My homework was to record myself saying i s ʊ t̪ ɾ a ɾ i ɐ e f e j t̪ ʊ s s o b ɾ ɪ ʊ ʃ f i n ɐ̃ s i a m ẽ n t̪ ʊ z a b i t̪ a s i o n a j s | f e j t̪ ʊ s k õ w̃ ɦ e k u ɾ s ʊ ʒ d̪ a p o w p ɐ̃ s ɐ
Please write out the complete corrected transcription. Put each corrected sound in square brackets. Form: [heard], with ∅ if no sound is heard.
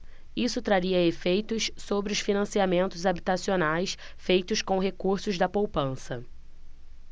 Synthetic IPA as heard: i s ʊ t̪ ɾ a ɾ i ɐ e f e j t̪ ʊ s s o b ɾ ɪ ʊ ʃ f i n ɐ̃ s i a m ẽ n t̪ ʊ z a b i t̪ a s i o n a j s | f e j t̪ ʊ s k õ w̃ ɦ e k u ɾ s ʊ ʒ d̪ [ɐ] p o w p ɐ̃ s ɐ

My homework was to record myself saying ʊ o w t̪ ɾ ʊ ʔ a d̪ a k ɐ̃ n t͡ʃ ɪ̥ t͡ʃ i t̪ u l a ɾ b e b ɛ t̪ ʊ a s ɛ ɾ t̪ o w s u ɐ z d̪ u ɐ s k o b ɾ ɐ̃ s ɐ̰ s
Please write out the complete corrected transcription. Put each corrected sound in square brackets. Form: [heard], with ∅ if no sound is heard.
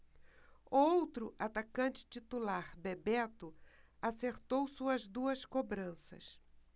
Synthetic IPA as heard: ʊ o w t̪ ɾ ʊ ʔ a [t̪] a k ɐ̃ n t͡ʃ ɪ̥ t͡ʃ i t̪ u l a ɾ b e b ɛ t̪ ʊ a s [e] ɾ t̪ o w s u ɐ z d̪ u ɐ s k o b ɾ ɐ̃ s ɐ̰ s

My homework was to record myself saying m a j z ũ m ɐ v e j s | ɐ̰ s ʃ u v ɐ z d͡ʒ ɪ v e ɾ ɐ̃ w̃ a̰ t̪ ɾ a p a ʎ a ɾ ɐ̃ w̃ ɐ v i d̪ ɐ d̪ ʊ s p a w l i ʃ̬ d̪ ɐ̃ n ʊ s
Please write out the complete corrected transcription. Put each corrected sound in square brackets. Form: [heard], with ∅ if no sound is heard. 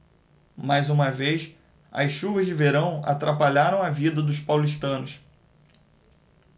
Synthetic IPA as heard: m a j z ũ m ɐ v e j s | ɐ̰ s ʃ u v ɐ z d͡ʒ ɪ v e ɾ ɐ̃ w̃ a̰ t̪ ɾ a p a ʎ a ɾ ɐ̃ w̃ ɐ v i d̪ ɐ d̪ ʊ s p a w l i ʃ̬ [t̪] ɐ̃ n ʊ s

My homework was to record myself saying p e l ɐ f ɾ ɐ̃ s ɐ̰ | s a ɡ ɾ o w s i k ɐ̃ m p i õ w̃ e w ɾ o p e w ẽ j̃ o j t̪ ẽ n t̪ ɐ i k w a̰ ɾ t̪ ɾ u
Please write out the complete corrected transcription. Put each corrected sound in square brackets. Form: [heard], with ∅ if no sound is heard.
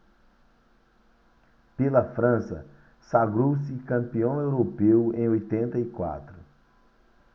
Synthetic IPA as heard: p e l ɐ f ɾ ɐ̃ s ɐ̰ | s a ɡ ɾ o w s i k ɐ̃ m p i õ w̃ e w ɾ o p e w ẽ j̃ o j t̪ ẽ n t̪ ɐ i k w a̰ [∅] t̪ ɾ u

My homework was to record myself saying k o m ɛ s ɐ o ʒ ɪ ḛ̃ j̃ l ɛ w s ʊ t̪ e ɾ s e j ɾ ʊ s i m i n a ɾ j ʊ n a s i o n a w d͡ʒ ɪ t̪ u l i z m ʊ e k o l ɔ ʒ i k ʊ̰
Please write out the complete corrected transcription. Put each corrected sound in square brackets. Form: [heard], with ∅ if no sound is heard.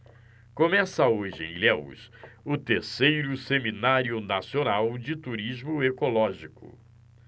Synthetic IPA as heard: k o m ɛ s ɐ o ʒ ɪ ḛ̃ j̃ l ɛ w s ʊ t̪ e ɾ s e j ɾ ʊ s [e] m i n a ɾ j ʊ n a s i o n a w d͡ʒ ɪ t̪ u [ɾ] i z m ʊ e k o l ɔ ʒ i k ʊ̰

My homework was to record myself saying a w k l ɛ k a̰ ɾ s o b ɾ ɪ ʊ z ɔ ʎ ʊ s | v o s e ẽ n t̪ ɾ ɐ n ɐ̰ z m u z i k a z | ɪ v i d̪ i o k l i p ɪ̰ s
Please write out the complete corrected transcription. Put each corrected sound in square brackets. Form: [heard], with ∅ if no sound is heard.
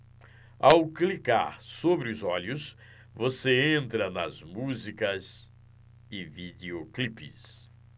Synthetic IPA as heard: a w k l [i] k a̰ ɾ s o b ɾ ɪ ʊ z ɔ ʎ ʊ s | v o s e ẽ n t̪ ɾ ɐ n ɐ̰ z m u z i k [ɐ] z | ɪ v i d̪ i o k l i p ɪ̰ s

